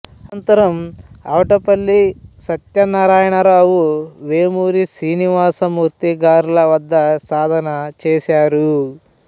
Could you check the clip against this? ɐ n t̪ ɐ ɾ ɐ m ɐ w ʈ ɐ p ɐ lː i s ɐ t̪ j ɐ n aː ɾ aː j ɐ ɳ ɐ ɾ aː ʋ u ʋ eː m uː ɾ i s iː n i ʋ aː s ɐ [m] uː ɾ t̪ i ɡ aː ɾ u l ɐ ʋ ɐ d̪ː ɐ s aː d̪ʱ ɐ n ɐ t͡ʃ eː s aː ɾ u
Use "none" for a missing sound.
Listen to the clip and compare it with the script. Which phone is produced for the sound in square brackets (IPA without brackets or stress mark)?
m